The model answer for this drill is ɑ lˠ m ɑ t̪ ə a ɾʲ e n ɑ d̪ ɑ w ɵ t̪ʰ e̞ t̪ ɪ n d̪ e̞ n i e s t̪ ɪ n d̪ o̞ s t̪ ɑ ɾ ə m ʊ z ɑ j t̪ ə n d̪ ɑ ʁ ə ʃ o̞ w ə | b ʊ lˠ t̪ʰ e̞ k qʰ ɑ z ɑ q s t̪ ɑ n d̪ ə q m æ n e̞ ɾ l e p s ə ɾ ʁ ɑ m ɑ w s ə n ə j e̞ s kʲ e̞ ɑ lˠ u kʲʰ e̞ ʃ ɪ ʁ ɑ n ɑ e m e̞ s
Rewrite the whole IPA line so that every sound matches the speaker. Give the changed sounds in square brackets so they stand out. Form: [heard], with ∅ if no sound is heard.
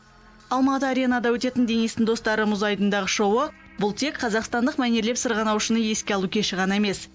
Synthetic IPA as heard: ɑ lˠ m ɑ t̪ ə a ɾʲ e n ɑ d̪ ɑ w ɵ [t̪] e̞ t̪ ɪ n d̪ e̞ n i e s t̪ ɪ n d̪ o̞ s t̪ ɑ ɾ ə m ʊ z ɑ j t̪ ə n d̪ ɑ ʁ ə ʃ o̞ w ə | b ʊ lˠ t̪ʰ e̞ k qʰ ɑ z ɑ q s t̪ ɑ n d̪ ə q m æ n e̞ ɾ l e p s ə ɾ ʁ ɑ [n] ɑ w [ʃ] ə n ə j e̞ s kʲ e̞ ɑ lˠ u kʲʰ e̞ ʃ ɪ ʁ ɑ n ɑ e m e̞ s